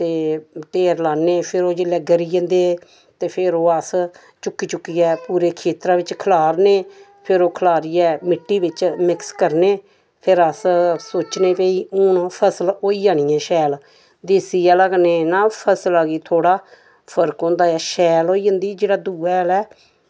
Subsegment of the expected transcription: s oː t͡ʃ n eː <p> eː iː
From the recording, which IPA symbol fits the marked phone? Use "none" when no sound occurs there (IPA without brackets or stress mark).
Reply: p